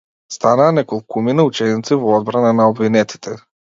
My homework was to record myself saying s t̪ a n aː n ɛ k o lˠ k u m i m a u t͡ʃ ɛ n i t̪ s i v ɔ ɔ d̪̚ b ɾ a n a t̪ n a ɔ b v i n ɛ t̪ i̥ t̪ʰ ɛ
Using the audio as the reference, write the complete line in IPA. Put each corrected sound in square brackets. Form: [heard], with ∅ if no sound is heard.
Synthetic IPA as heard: s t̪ a n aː n ɛ k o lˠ k u m i [n] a u t͡ʃ ɛ n i t̪ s i v ɔ ɔ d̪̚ b ɾ a n a [∅] n a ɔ b v i n ɛ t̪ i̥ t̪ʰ ɛ